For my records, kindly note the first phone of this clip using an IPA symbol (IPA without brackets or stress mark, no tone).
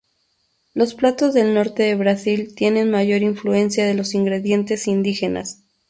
l